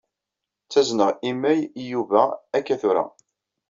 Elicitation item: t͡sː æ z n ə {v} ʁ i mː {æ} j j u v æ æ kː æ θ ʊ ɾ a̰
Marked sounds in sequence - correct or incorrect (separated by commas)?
incorrect, correct